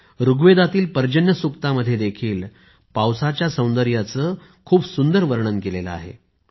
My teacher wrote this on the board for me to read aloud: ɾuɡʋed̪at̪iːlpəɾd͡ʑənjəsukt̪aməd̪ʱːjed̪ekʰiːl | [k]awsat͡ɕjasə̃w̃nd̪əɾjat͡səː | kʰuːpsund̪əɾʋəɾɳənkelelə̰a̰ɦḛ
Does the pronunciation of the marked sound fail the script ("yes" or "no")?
yes